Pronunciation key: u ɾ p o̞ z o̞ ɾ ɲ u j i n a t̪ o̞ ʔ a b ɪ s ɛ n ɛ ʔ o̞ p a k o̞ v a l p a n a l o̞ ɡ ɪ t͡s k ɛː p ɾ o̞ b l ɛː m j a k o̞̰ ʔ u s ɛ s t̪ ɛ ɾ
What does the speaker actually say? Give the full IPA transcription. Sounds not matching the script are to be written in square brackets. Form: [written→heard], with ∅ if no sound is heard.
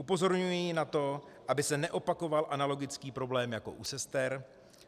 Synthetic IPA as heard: u [ɾ→∅] p o̞ z o̞ ɾ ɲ u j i n a t̪ o̞ ʔ a b ɪ s ɛ n ɛ ʔ o̞ p a k o̞ v a l [p→ʔ] a n a l o̞ ɡ ɪ t͡s k [ɛː→iː] p ɾ o̞ b l ɛː m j a k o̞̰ ʔ u s ɛ s t̪ ɛ ɾ

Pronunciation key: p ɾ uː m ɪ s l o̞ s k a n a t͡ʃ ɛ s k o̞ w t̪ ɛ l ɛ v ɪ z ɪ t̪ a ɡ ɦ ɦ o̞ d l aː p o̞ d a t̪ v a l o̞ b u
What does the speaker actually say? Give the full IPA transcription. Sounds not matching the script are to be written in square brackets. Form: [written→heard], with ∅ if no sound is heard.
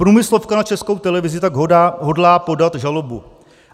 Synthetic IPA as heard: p ɾ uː m ɪ s l o̞ [s→f] k a n a t͡ʃ ɛ s k o̞ w t̪ ɛ l ɛ v ɪ z ɪ t̪ a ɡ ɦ ɦ o̞ d l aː p o̞ d a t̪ [v→ʒ] a l o̞ b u

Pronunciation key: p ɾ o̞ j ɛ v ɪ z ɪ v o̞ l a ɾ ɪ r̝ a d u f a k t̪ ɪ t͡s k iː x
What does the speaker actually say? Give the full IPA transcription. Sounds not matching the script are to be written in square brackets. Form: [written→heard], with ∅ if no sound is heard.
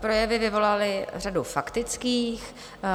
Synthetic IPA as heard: p ɾ o̞ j ɛ v ɪ [z→v] ɪ v o̞ l a [ɾ→l] ɪ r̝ a d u f a k t̪ ɪ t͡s k iː x

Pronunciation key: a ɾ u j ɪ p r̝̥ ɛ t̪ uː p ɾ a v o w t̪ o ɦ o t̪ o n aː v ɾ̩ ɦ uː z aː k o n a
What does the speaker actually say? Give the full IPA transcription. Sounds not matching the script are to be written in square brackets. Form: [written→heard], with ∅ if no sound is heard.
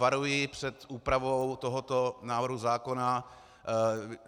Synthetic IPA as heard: a ɾ u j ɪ p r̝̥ ɛ t̪ uː p ɾ a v o w t̪ o ɦ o t̪ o n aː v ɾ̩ ɦ [uː→u] z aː k o n a

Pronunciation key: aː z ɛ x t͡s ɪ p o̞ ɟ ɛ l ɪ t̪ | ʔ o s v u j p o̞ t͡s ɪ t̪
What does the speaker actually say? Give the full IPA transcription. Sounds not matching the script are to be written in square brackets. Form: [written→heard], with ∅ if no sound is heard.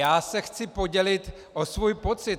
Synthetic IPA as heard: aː [z→s] ɛ x t͡s ɪ p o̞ ɟ ɛ l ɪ t̪ | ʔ o s v u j p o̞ t͡s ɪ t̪

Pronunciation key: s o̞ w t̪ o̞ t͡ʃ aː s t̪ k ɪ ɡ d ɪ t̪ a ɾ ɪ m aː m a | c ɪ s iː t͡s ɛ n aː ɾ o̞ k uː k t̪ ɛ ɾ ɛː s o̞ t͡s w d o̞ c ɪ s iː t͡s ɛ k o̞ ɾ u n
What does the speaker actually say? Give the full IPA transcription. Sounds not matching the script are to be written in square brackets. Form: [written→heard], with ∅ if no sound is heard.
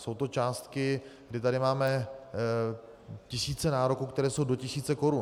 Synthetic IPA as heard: s o̞ w t̪ o̞ t͡ʃ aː s t̪ k ɪ ɡ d ɪ t̪ a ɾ ɪ m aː m [a→ɛ] | c ɪ s iː t͡s ɛ n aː ɾ o̞ k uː k t̪ ɛ ɾ ɛː s o̞ [t͡s→∅] w d o̞ c ɪ s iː t͡s ɛ k o̞ ɾ u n

